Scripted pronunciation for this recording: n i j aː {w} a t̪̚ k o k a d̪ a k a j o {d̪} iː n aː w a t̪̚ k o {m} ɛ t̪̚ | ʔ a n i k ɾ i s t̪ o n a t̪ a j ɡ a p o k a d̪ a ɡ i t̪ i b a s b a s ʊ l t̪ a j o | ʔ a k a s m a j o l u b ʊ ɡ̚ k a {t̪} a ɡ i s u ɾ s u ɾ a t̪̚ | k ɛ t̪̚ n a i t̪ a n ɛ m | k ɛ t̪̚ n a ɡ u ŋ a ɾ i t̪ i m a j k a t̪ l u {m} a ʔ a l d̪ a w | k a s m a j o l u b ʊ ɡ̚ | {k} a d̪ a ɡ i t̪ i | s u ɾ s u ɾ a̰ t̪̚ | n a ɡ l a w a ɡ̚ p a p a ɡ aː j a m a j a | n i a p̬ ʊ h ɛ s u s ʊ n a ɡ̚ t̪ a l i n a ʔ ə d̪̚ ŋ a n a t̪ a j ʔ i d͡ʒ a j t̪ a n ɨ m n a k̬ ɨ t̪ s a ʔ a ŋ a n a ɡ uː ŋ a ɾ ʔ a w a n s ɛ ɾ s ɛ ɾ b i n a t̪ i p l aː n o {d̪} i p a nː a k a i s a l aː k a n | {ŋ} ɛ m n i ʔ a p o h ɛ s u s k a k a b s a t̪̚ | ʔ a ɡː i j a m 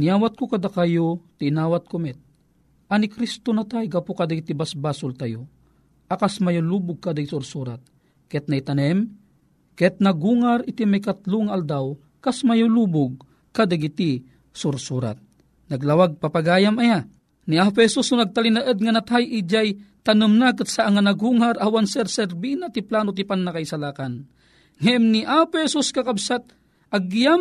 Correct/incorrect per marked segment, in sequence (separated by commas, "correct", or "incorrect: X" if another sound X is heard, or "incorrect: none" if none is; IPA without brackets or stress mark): correct, incorrect: t̪, correct, incorrect: d̪, incorrect: ŋ, correct, incorrect: t̪, correct